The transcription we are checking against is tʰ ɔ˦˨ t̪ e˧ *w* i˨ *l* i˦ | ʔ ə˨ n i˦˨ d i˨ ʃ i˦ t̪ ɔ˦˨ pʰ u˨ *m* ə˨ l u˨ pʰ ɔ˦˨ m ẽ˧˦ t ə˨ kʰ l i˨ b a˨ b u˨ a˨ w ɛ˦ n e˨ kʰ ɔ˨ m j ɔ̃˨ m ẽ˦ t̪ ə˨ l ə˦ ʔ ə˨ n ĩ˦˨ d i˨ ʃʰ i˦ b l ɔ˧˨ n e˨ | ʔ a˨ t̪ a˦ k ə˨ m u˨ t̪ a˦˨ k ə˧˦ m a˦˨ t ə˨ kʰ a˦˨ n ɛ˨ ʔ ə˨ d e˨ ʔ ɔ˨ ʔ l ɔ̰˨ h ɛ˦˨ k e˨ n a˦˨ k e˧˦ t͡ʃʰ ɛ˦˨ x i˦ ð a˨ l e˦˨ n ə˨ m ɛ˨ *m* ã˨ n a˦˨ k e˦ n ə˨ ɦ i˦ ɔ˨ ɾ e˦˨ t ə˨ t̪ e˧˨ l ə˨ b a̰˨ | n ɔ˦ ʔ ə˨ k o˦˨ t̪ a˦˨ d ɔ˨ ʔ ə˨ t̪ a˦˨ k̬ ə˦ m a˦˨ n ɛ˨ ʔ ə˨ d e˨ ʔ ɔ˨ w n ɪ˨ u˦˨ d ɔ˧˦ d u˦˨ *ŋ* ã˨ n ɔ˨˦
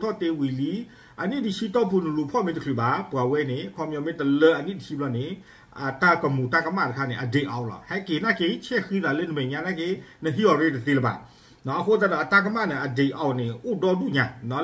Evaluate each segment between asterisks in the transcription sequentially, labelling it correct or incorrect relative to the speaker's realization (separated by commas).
correct, correct, incorrect, incorrect, incorrect